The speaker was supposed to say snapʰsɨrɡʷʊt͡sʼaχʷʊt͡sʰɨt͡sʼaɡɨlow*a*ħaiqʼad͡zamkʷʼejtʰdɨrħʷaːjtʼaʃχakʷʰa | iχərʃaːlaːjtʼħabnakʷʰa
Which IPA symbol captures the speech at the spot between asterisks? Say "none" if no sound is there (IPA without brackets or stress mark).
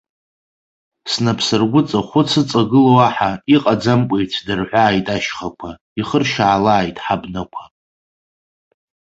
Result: a